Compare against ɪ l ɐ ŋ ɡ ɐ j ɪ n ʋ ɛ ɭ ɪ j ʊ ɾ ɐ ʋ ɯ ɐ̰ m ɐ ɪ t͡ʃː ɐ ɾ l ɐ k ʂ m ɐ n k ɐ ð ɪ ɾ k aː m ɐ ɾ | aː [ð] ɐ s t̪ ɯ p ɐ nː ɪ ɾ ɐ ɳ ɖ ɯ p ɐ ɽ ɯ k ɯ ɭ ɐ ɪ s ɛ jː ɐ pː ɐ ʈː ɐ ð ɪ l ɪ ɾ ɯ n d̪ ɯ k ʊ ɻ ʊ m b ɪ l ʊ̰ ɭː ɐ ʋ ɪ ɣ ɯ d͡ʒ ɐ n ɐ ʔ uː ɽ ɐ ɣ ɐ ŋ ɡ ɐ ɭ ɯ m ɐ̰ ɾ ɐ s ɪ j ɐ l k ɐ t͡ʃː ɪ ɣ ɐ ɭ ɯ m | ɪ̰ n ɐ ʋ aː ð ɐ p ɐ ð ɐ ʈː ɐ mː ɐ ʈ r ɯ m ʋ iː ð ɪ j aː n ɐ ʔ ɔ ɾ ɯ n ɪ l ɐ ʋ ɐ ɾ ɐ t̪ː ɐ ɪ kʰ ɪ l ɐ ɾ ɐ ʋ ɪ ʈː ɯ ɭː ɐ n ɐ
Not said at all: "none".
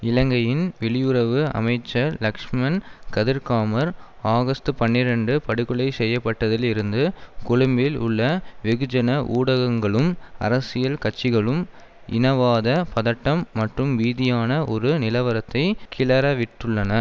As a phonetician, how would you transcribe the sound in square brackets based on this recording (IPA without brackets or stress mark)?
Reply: ɣ